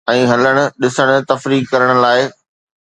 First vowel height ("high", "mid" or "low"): mid